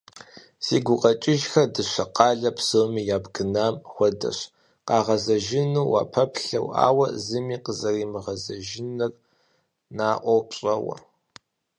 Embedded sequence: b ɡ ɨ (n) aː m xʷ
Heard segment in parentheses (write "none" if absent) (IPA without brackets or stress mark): n